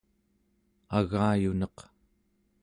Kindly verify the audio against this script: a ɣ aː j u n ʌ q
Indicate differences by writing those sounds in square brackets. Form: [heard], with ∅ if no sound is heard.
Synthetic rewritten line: a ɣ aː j u n ʌ q